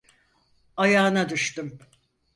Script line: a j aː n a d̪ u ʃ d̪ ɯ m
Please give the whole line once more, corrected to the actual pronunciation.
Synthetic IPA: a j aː n a d̪ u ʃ t̪ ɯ m